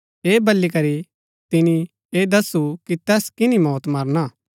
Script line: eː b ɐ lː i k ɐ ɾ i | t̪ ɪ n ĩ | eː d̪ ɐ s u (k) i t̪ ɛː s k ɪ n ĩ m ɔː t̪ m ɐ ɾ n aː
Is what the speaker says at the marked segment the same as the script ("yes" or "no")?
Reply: yes